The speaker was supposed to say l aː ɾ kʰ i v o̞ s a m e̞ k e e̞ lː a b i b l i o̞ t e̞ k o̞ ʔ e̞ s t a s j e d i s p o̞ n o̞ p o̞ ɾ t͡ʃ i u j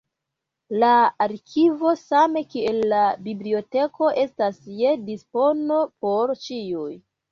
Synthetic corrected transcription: l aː ɾ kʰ i v o̞ s a m e̞ k i e̞ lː a b i b l i o̞ t e̞ k o̞ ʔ e̞ s t a s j e d i s p o̞ n o̞ p o̞ ɾ t͡ʃ i u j